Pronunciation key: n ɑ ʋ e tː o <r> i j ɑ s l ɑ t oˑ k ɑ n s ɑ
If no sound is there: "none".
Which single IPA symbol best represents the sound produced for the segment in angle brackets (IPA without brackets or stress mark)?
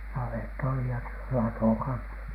l